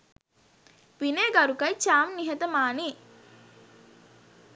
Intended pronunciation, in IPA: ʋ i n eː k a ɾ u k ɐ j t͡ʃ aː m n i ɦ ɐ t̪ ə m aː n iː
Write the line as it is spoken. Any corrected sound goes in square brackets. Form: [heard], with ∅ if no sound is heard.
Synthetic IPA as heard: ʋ i n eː [ɡ] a ɾ u k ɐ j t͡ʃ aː m n i ɦ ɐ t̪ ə m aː n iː